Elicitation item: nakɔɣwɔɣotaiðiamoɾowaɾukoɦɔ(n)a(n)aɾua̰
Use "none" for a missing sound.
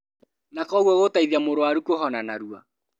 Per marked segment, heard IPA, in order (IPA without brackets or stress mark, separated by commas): n, n